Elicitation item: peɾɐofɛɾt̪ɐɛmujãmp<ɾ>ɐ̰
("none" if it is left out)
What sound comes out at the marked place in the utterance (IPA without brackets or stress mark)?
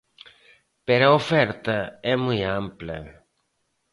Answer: l